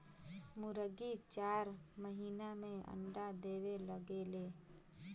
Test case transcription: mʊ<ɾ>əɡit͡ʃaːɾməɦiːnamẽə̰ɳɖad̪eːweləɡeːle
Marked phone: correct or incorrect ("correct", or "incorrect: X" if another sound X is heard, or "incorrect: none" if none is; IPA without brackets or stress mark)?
correct